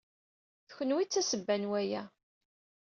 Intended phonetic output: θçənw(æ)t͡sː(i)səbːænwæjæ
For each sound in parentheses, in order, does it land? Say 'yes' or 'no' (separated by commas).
no, no